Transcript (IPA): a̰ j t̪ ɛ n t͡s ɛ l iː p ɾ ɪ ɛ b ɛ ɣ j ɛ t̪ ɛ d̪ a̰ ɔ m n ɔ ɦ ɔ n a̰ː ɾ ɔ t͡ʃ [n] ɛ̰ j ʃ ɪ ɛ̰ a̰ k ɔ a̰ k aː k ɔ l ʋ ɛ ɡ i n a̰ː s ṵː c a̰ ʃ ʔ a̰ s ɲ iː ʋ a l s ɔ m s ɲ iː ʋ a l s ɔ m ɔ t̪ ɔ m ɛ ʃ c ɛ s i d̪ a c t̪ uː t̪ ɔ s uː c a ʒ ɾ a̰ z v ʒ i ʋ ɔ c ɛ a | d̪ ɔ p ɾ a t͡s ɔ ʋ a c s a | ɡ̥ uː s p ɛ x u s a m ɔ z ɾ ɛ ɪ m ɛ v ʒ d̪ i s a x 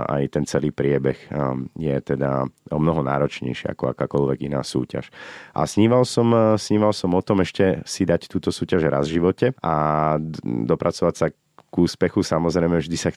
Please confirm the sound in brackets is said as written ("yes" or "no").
no